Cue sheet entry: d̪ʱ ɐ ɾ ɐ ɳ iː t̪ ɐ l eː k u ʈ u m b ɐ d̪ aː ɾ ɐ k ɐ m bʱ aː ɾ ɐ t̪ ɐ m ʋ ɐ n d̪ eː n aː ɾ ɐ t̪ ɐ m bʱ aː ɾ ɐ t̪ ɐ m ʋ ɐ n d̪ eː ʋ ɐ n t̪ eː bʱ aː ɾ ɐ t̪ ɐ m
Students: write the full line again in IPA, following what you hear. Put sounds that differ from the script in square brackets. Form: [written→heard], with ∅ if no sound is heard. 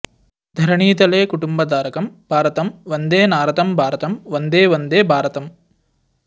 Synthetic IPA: d̪ʱ ɐ ɾ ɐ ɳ iː t̪ ɐ l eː k u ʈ u m b ɐ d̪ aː ɾ ɐ k ɐ m bʱ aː ɾ ɐ t̪ ɐ m ʋ ɐ n d̪ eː n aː ɾ ɐ t̪ ɐ m bʱ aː ɾ ɐ t̪ ɐ m ʋ ɐ n d̪ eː ʋ ɐ n [t̪→d̪] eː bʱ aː ɾ ɐ t̪ ɐ m